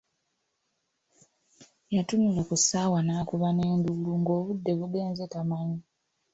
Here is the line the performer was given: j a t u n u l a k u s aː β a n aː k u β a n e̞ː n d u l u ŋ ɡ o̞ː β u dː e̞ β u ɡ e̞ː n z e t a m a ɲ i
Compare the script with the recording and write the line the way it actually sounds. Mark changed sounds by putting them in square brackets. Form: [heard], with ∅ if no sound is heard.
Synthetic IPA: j a t u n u l a k u s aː [w] a n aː k u β a n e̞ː n d u l u ŋ ɡ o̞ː β u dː e̞ β u ɡ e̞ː n z e t a m a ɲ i